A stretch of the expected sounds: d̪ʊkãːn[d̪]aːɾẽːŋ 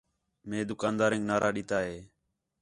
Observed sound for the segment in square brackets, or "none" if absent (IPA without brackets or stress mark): d̪